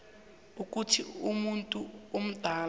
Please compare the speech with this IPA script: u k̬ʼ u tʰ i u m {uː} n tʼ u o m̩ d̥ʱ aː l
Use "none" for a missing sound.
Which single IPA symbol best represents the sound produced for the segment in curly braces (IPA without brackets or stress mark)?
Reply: u